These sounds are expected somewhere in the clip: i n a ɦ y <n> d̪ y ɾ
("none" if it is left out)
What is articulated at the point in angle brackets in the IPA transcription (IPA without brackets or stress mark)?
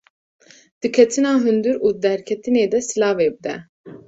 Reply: n